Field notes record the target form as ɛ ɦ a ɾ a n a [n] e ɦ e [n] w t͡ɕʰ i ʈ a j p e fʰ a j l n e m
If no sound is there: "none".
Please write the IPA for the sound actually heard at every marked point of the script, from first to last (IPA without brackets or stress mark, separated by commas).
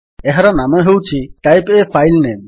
m, none